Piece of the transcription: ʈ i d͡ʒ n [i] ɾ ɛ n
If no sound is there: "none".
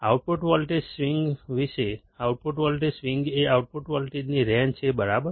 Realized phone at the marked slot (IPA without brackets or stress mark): i